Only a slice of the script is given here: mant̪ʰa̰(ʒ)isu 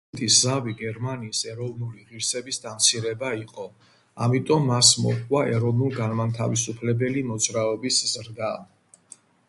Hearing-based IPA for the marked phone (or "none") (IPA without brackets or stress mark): v